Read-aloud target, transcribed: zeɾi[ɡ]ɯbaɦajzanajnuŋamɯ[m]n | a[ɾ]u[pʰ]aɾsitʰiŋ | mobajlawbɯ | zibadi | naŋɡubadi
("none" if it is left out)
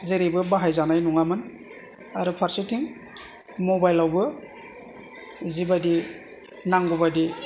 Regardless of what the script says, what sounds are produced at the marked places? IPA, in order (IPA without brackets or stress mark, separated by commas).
b, none, ɾ, pʰ